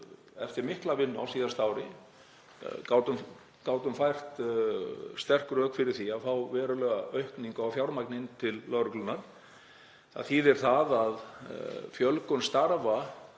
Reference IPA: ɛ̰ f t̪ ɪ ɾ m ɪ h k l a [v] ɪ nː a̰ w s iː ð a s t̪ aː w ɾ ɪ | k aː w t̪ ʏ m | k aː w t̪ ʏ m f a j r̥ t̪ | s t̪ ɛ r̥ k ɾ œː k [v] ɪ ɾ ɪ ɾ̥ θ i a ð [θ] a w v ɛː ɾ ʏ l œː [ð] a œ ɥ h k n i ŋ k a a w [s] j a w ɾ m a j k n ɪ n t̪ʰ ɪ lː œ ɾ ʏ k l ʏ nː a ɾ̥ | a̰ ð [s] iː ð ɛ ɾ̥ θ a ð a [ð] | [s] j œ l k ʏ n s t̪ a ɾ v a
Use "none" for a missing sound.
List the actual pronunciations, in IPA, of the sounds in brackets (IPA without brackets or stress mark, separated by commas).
v, f, f, ɣ, f, θ, ð, f